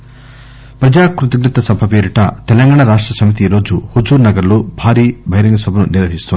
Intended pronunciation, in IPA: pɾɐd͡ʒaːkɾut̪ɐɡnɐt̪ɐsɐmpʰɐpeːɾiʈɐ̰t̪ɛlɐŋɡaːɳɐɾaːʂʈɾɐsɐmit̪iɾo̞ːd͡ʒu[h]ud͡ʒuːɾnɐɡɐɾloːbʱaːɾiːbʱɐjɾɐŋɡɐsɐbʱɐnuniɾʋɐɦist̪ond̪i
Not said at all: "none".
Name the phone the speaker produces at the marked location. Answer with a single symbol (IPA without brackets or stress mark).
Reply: h